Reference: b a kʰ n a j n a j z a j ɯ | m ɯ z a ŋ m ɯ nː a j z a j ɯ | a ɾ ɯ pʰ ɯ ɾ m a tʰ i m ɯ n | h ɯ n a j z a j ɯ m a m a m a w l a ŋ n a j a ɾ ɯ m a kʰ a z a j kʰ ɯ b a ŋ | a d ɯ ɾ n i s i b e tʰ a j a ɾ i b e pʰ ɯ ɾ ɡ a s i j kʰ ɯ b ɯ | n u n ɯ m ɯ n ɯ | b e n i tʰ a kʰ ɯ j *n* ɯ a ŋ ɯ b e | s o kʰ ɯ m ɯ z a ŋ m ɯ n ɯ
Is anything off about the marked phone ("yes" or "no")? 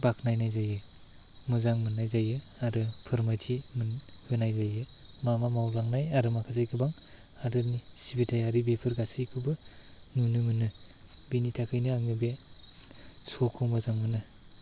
no